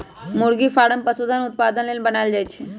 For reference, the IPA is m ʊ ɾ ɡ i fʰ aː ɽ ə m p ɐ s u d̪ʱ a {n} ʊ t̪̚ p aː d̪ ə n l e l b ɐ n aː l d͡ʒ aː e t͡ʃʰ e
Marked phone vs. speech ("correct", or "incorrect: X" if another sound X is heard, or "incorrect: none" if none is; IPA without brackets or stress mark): correct